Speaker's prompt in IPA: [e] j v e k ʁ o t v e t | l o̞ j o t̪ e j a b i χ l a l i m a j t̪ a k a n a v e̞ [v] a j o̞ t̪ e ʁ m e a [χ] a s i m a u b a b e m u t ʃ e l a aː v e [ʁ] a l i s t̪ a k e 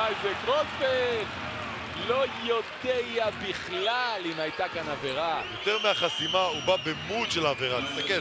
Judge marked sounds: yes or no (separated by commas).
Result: no, no, yes, yes